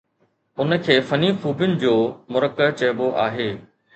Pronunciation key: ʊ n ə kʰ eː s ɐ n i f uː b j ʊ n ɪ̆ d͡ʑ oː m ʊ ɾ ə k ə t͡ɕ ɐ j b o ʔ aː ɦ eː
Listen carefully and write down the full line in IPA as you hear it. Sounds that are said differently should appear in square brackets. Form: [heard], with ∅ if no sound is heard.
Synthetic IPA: ʊ n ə kʰ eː [f] ɐ n i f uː b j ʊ n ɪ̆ d͡ʑ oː m ʊ ɾ ə k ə t͡ɕ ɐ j b o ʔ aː ɦ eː